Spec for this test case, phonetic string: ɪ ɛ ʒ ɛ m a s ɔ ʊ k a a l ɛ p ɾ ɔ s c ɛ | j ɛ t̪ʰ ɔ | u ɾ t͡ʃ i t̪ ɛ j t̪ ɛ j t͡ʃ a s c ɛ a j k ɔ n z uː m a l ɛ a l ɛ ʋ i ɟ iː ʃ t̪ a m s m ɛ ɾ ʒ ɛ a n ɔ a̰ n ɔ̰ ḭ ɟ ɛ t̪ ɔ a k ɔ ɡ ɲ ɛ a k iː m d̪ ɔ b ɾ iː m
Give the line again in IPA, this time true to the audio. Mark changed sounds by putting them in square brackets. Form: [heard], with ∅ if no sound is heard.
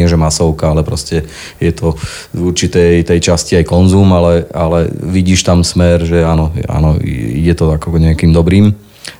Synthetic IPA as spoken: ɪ ɛ ʒ ɛ m a s ɔ ʊ k a a l ɛ p ɾ ɔ s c ɛ | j ɛ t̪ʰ ɔ | u ɾ t͡ʃ i t̪ ɛ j t̪ ɛ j t͡ʃ a s c [i] a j k ɔ n z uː m a l ɛ a l ɛ ʋ i ɟ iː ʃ t̪ a m s m ɛ ɾ ʒ ɛ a n ɔ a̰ n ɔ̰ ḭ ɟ ɛ t̪ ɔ a k ɔ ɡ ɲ ɛ a k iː m d̪ ɔ b ɾ iː m